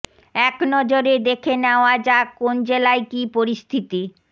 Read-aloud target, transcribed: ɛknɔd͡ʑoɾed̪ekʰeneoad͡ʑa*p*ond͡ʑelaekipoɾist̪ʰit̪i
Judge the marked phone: incorrect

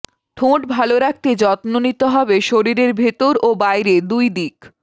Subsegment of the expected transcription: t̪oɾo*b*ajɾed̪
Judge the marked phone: correct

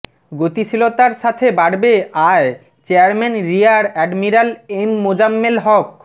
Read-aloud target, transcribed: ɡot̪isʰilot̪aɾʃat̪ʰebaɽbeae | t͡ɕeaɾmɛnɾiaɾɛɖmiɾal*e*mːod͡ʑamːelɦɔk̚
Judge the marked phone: correct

